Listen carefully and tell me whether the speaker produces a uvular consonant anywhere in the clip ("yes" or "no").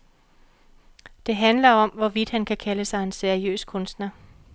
no